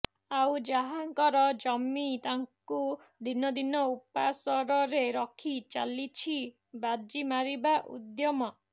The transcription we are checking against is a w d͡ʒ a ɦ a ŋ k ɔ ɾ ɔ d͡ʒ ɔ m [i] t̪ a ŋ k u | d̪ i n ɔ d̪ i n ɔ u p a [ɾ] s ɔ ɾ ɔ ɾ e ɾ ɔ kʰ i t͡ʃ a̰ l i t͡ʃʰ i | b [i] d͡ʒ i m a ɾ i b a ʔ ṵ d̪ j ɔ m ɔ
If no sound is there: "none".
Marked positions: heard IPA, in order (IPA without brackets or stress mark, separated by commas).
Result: i, none, a